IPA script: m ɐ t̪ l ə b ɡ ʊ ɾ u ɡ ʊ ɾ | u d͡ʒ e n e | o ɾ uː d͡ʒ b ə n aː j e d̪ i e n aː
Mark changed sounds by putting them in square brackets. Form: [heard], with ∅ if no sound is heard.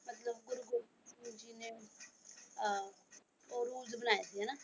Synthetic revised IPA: m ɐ t̪ l ə b ɡ ʊ ɾ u ɡ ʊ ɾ | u d͡ʒ [i] n e | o ɾ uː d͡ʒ b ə n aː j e d̪ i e n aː